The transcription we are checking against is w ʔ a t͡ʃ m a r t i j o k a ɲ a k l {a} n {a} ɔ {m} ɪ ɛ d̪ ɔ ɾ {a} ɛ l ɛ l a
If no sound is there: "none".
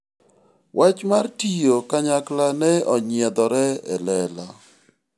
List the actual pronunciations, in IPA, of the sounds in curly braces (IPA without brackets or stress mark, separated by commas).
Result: a, ɛ, ɲ, ɛ